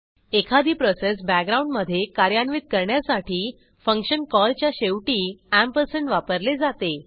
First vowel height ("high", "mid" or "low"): mid